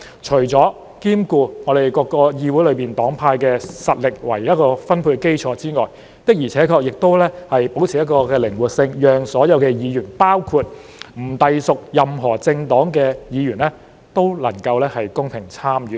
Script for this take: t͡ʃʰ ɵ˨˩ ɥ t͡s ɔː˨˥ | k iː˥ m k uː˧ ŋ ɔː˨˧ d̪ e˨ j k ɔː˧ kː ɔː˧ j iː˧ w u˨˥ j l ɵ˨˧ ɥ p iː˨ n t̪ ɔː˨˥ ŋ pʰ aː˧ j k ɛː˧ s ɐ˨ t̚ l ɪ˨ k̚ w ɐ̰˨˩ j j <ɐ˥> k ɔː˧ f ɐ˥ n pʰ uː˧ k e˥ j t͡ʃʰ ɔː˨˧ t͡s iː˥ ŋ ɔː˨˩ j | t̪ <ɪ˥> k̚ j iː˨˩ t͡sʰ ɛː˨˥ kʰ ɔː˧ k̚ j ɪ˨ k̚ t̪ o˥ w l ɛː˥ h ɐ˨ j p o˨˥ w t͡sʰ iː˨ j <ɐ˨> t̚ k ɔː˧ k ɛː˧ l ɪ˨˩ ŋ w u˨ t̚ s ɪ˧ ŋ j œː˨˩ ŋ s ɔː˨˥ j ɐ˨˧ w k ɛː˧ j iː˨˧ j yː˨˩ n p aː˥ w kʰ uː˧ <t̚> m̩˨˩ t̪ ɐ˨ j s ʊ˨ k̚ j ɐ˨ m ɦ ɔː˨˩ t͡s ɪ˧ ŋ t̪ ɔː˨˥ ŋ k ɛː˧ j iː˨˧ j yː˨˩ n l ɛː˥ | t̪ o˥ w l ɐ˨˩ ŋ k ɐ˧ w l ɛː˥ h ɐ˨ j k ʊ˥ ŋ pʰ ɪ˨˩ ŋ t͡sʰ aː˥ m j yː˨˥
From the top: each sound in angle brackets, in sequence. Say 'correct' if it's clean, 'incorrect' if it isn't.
correct, correct, incorrect: ɐ˥, correct

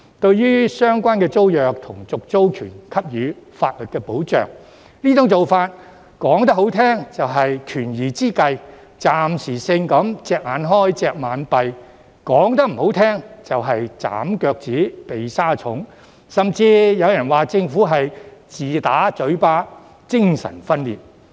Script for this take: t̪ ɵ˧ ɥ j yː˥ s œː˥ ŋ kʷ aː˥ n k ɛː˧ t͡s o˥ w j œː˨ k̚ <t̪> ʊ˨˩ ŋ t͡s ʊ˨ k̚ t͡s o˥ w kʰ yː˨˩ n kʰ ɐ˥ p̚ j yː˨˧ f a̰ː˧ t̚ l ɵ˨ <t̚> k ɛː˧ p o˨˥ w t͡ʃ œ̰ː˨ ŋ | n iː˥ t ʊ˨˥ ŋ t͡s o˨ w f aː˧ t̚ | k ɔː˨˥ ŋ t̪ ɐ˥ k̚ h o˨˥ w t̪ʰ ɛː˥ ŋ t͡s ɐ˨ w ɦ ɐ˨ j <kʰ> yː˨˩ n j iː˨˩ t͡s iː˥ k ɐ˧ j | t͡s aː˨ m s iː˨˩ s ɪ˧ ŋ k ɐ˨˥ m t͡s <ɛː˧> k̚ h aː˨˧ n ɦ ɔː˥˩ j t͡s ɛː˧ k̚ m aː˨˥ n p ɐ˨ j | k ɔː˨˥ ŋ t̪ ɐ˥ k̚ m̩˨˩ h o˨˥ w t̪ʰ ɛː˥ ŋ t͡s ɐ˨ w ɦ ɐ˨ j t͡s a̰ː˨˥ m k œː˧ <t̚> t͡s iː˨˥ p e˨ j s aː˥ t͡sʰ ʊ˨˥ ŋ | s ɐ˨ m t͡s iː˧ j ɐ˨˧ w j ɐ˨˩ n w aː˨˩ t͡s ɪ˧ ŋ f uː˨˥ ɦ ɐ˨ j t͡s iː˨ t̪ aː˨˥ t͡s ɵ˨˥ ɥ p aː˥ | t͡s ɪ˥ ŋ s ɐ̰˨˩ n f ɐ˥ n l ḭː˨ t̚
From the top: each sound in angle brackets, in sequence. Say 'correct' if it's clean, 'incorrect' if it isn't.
incorrect: t̪ʰ, correct, correct, correct, incorrect: k̚

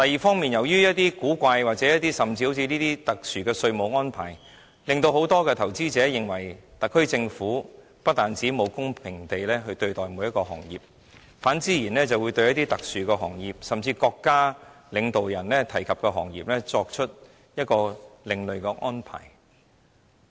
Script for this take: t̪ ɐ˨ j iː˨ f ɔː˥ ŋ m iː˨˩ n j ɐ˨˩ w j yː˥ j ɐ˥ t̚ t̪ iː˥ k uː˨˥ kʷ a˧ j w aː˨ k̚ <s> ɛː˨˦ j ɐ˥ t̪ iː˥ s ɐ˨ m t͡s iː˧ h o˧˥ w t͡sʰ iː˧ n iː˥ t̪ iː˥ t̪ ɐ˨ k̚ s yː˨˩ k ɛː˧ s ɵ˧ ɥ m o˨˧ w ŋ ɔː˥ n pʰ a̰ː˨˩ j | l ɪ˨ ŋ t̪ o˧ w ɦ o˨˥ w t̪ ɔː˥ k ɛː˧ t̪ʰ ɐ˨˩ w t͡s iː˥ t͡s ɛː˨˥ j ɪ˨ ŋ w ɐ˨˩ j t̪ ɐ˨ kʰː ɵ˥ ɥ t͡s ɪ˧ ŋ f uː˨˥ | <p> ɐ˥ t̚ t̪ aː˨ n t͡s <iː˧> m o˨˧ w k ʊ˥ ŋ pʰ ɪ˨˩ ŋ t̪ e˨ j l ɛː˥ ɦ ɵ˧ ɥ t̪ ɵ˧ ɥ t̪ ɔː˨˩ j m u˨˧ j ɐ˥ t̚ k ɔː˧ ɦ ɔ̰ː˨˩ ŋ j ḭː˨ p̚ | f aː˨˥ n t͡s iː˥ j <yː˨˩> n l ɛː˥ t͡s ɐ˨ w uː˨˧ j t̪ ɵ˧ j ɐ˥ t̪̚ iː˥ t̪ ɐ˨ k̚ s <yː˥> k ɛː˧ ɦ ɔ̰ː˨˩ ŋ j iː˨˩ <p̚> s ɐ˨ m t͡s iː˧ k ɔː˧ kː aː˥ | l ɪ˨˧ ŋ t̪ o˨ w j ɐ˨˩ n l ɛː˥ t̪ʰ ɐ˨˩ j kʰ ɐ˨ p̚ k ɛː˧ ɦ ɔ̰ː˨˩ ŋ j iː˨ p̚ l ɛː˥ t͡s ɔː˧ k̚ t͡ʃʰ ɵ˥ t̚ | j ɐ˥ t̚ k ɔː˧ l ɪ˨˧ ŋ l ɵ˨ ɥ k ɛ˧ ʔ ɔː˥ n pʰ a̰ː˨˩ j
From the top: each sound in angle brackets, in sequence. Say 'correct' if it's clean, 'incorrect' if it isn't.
incorrect: t͡s, correct, incorrect: iː˨˥, incorrect: iː˨˩, incorrect: yː˨, correct

